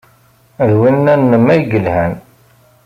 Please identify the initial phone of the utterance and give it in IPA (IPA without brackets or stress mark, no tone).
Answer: ð